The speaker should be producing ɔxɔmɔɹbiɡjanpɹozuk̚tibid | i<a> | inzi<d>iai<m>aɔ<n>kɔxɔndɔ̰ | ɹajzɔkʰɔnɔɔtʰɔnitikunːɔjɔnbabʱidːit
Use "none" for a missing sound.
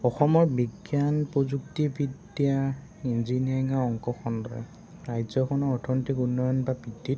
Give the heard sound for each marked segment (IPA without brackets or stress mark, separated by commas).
a, n, ŋ, ŋ